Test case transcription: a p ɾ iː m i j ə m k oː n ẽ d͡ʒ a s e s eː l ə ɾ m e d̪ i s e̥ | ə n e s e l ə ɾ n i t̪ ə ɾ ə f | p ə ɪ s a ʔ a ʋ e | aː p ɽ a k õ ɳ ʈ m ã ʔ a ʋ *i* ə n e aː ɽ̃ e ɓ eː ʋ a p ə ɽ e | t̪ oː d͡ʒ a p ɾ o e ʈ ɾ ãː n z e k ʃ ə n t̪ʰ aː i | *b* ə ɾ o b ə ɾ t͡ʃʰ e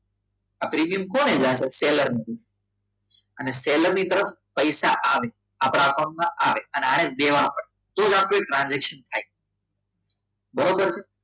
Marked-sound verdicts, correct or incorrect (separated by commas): incorrect, correct